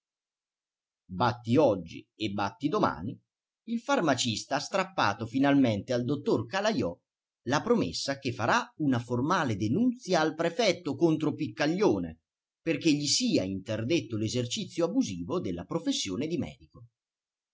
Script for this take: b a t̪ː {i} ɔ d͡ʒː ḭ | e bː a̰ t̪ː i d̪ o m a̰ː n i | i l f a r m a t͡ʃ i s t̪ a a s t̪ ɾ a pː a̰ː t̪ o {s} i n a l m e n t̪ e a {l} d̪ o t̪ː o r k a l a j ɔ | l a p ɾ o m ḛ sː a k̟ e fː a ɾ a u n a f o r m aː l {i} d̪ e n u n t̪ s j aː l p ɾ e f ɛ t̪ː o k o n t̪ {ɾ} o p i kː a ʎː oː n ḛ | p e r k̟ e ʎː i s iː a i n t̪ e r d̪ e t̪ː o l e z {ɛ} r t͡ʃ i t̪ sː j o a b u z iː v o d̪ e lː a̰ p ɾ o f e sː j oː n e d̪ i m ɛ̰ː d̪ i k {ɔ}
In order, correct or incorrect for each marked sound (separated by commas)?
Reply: correct, incorrect, correct, incorrect, correct, incorrect, incorrect